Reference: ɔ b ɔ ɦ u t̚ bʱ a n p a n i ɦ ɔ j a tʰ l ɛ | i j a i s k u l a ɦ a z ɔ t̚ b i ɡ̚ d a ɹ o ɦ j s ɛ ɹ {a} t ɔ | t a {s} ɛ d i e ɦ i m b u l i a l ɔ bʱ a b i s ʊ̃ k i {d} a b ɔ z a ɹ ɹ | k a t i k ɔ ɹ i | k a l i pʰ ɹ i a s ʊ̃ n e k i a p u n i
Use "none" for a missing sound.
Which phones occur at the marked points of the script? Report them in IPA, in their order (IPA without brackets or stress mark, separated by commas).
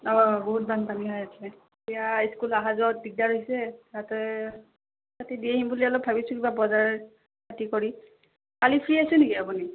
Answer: a, t, b